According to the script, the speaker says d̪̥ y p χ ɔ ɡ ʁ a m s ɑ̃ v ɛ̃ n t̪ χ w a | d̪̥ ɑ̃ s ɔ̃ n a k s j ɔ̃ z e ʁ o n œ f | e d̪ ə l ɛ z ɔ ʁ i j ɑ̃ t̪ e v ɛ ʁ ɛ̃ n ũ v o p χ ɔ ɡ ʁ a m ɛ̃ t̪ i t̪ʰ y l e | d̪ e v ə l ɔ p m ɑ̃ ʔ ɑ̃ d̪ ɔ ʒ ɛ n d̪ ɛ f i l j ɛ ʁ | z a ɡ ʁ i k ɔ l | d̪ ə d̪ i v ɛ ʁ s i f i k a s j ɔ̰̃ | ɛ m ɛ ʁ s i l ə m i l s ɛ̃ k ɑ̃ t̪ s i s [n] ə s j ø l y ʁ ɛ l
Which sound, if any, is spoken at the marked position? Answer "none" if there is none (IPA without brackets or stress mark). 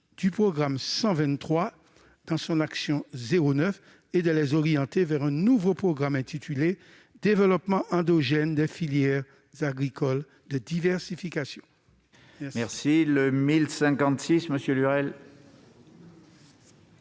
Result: m